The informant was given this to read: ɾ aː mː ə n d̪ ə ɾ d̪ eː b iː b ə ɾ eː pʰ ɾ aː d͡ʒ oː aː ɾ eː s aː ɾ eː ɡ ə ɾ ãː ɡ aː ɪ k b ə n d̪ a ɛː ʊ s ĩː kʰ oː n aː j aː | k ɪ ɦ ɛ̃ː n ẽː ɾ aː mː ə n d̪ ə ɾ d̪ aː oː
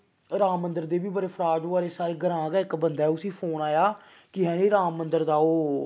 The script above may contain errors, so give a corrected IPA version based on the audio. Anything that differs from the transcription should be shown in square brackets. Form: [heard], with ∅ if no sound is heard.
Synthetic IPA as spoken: ɾ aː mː ə n d̪ ə ɾ d̪ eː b iː b ə ɾ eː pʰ ɾ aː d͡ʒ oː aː ɾ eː s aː ɾ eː ɡ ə ɾ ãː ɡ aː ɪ k b ə n d̪ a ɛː ʊ s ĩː [pʰ] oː n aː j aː | k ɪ ɦ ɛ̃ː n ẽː ɾ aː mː ə n d̪ ə ɾ d̪ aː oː